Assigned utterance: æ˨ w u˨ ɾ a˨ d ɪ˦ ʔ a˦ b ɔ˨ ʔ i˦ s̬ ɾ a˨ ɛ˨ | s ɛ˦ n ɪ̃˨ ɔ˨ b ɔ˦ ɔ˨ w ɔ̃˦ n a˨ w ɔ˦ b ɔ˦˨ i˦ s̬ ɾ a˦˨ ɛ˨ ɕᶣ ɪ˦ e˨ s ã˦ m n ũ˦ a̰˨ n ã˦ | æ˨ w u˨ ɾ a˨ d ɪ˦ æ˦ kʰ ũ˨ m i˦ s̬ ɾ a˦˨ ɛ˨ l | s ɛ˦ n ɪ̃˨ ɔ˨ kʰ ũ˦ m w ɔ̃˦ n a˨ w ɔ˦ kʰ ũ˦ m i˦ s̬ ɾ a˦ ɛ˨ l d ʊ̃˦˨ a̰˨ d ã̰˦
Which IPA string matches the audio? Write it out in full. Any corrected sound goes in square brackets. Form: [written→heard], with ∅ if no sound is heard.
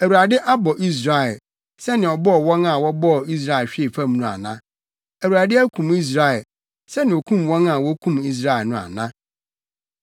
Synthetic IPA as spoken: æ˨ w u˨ ɾ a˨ d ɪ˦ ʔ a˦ b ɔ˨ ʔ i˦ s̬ ɾ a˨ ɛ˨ | s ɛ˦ n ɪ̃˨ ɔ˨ b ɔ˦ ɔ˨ w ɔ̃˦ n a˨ w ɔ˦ b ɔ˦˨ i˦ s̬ ɾ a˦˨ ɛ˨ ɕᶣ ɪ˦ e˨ [s→f] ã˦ m n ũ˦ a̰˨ n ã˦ | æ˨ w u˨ ɾ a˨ d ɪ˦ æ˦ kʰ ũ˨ m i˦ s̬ ɾ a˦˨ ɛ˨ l | s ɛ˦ n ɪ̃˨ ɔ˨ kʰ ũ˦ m w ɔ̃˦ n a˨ w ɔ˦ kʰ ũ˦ m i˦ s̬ ɾ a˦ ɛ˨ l [d→n] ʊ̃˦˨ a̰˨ [d→n] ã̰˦